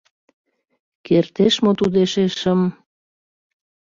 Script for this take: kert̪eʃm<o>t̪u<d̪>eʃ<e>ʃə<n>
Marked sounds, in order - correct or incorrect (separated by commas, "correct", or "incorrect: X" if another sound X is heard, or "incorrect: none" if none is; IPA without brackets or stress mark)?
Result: correct, correct, correct, incorrect: m